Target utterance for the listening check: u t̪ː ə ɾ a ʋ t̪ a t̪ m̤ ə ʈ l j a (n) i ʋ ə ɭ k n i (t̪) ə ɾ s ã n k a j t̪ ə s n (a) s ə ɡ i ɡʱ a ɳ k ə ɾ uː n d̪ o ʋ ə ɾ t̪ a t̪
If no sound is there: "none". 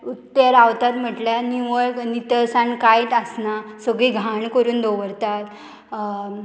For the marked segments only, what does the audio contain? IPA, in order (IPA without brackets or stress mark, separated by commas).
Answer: n, t̪, a